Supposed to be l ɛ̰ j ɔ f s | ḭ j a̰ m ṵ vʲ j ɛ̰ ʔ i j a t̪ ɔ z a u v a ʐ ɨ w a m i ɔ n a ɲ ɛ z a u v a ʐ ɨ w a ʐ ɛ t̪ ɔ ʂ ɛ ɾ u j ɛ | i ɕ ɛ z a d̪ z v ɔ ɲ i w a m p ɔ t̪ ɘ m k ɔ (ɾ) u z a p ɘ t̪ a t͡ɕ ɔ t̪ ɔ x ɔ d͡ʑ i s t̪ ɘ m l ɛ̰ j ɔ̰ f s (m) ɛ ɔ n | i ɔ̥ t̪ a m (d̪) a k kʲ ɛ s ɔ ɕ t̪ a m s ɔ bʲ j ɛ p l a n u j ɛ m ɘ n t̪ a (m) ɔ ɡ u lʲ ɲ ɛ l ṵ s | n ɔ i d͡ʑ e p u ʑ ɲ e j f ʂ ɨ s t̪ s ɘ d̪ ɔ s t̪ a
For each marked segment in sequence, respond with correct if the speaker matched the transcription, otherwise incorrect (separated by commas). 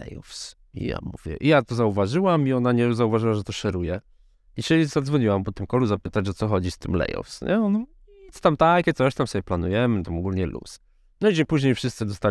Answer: incorrect, incorrect, incorrect, correct